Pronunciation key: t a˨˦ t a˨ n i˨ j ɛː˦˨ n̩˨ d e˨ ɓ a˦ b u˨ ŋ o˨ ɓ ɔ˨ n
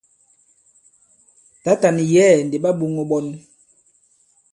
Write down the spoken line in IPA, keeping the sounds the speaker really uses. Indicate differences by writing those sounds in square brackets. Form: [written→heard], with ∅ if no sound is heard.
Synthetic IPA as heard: t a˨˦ t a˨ n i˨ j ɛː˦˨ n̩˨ d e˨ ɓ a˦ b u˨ ŋ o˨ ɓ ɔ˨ n

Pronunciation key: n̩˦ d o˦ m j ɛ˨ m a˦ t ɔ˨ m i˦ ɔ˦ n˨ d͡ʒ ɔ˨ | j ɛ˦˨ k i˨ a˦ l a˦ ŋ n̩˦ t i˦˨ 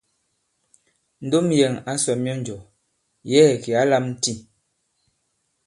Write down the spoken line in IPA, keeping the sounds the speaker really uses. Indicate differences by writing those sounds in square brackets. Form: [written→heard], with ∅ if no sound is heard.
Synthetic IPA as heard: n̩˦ d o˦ m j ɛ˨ [m→ŋ] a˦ [t→s] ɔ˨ m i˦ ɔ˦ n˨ d͡ʒ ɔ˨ | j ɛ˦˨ k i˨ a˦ l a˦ [ŋ→m] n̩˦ t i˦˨

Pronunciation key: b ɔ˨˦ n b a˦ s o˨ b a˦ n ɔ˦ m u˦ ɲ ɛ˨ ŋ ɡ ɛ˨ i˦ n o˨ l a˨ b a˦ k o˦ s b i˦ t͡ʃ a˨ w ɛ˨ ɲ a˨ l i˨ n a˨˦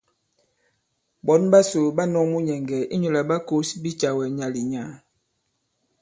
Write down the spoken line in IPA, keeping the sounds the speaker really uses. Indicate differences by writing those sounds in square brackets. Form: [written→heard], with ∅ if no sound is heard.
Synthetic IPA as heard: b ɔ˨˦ n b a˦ s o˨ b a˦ n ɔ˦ m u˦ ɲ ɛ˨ ŋ ɡ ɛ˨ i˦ [n→ɲ] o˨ l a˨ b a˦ k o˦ s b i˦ t͡ʃ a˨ w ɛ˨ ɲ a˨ l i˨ [n→ɲ] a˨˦

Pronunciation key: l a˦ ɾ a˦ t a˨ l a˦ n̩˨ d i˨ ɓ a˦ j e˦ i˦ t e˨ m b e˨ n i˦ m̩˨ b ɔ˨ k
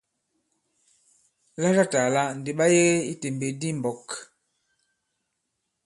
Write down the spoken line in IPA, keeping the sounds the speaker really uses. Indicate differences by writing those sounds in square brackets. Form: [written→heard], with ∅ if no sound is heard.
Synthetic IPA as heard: l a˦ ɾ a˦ t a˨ l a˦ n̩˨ d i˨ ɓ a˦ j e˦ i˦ t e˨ m b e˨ [n→d] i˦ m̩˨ b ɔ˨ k

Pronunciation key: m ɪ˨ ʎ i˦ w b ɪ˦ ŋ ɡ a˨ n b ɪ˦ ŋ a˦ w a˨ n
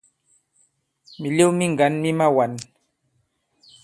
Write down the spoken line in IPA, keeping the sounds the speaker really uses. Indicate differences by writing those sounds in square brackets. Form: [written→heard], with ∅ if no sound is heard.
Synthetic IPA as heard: m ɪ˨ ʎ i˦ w [b→m] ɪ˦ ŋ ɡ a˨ n [b→m] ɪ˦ [ŋ→m] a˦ w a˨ n

